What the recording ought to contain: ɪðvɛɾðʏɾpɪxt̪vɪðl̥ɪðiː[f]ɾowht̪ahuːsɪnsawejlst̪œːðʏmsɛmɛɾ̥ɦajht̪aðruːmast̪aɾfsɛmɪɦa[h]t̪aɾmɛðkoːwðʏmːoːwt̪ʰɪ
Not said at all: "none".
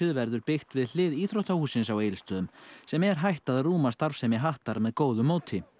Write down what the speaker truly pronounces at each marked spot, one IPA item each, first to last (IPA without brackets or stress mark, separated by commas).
θ, h